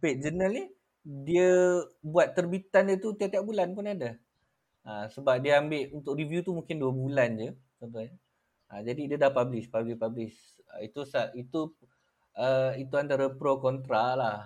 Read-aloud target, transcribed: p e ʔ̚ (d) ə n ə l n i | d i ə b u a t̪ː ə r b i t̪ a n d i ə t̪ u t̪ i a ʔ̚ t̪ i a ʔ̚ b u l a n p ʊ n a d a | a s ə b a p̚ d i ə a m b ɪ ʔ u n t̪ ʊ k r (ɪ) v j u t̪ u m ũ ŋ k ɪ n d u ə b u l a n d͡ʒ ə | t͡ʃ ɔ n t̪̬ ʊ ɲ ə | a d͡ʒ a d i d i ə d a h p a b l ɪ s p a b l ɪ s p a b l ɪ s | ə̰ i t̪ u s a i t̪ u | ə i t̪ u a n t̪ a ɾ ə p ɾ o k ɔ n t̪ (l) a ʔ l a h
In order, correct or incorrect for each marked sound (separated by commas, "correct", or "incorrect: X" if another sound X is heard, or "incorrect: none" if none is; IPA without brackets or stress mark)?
incorrect: d͡ʒ, incorrect: i, incorrect: ɾ